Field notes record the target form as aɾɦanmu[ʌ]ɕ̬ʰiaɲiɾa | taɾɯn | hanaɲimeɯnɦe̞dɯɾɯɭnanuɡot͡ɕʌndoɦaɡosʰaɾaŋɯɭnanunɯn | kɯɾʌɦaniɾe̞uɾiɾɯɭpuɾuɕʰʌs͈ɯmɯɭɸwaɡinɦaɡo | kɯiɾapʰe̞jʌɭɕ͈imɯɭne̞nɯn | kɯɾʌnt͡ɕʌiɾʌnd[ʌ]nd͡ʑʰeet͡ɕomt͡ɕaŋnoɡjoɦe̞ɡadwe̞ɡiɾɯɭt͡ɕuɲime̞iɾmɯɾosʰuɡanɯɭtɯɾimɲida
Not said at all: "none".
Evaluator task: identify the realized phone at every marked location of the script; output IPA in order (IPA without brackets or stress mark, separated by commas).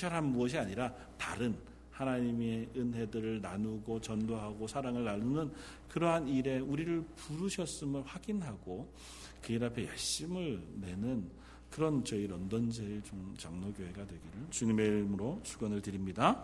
ʌ, ʌ